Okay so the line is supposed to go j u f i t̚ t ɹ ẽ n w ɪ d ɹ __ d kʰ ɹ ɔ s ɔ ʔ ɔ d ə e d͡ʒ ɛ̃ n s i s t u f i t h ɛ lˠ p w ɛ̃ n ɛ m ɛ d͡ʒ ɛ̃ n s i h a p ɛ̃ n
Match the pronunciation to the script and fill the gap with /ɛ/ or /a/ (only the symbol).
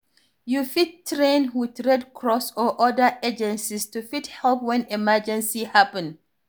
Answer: ɛ